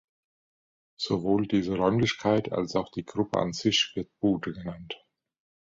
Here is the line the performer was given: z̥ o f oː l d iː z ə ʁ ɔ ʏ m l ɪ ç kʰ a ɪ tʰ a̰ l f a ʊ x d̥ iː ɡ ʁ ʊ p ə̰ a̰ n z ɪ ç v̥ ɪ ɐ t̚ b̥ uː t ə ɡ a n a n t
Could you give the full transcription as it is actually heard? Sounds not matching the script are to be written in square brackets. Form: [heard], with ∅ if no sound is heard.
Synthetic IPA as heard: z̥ o [v] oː l d iː z ə ʁ ɔ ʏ m l ɪ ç kʰ a ɪ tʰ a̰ l [s] a ʊ x d̥ iː ɡ ʁ ʊ p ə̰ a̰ n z ɪ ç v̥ ɪ ɐ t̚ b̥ uː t ə ɡ [ə] n a n t